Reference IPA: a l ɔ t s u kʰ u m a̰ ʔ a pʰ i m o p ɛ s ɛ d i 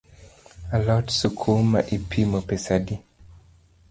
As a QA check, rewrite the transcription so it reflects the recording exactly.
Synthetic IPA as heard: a l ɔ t s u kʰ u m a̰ ʔ i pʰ i m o p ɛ s a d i